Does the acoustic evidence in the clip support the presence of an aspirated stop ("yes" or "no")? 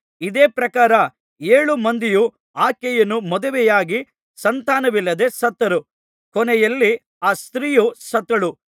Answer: no